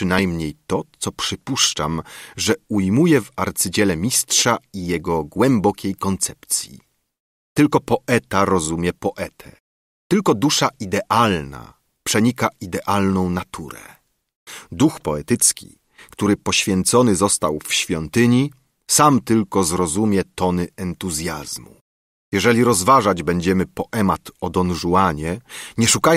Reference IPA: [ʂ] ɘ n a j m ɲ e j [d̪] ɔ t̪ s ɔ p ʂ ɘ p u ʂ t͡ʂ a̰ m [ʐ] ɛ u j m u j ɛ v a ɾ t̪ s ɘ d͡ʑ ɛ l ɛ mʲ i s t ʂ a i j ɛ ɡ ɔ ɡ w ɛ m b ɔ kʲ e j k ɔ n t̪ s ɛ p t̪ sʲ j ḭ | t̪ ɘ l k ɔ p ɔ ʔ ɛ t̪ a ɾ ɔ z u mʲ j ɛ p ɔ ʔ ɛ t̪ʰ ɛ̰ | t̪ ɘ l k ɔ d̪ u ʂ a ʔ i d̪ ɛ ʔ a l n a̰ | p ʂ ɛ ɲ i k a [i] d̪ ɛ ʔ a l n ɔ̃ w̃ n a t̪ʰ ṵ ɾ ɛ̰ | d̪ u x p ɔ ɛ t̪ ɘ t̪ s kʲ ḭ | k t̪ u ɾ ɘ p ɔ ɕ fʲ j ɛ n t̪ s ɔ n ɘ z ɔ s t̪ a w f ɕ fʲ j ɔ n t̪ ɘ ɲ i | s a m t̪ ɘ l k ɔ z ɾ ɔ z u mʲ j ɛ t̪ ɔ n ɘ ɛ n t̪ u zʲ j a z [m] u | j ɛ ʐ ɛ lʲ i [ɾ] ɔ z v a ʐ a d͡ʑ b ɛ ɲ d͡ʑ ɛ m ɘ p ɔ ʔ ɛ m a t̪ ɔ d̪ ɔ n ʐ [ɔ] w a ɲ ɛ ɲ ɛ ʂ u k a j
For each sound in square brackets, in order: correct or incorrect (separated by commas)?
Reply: correct, incorrect, correct, correct, correct, correct, incorrect